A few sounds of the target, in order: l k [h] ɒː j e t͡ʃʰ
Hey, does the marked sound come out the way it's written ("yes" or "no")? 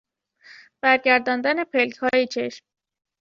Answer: yes